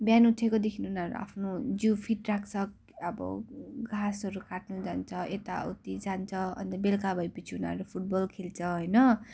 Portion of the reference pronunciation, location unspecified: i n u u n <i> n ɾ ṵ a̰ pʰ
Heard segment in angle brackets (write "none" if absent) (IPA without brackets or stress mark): a